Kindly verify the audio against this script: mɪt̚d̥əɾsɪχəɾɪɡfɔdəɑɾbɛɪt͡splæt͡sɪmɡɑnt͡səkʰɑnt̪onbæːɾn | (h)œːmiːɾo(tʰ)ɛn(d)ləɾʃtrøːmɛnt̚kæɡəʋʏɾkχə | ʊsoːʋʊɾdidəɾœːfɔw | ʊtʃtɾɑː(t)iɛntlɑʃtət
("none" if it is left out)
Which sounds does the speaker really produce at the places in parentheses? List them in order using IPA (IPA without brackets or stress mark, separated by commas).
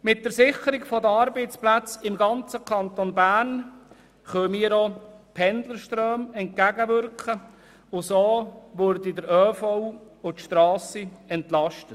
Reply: χ, pʰ, d, s